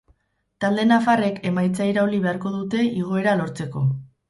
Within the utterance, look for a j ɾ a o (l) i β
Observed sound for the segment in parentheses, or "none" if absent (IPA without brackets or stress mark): l